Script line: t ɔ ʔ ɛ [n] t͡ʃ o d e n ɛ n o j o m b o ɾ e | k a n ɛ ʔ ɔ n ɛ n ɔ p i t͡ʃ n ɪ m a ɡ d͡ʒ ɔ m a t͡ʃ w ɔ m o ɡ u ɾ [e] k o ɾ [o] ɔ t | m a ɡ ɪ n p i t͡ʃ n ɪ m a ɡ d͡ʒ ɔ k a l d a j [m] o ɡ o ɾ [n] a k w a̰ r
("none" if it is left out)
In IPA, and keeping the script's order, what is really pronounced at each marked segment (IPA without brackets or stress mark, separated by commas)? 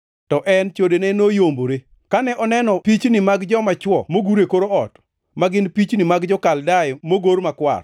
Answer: n, e, o, m, m